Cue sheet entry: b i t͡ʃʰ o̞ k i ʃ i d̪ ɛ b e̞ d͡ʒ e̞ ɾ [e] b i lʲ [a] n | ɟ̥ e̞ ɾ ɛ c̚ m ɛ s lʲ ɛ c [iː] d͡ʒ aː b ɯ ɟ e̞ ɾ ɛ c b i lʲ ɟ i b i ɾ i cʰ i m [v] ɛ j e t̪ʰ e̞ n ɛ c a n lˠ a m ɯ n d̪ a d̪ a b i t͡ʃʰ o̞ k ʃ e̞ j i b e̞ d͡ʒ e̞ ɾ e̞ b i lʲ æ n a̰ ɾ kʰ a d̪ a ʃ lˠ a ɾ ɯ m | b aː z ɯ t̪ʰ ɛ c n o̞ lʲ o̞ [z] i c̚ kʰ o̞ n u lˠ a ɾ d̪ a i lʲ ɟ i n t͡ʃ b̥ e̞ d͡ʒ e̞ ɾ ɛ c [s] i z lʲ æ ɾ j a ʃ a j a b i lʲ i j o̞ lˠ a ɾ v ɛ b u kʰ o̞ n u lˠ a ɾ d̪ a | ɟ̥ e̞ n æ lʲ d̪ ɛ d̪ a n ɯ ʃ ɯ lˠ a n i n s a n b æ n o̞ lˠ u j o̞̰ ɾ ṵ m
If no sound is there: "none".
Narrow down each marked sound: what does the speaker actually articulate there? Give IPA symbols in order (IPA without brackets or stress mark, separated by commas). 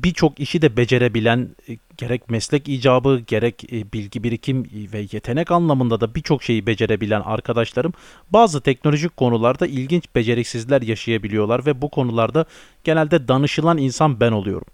e, æ, iː, v, ʒ, s